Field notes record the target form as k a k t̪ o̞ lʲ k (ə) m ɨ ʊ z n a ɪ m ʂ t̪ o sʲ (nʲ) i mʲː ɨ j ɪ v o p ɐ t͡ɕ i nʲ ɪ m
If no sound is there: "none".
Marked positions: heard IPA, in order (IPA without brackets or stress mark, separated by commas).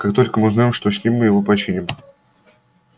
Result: ə, nʲ